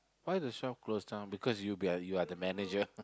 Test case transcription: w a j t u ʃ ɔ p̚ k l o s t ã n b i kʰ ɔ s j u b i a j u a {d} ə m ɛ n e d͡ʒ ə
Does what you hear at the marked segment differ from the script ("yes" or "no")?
no